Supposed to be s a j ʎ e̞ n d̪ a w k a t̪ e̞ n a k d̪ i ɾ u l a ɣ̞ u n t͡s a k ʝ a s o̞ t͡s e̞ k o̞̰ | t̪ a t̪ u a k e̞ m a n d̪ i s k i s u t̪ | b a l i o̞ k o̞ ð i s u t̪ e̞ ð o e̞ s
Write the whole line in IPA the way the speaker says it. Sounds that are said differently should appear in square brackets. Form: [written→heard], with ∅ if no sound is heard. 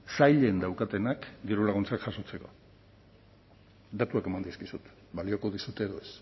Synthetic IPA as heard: s a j ʎ e̞ n d̪ a w k a t̪ e̞ n a k d̪ i ɾ u l a ɣ̞ u n t͡s a k ʝ a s o̞ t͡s e̞ k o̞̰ | [t̪→d̪] a t̪ u a k e̞ m a n d̪ i s k i s u t̪ | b a l i o̞ k o̞ ð i s u t̪ e̞ ð o e̞ s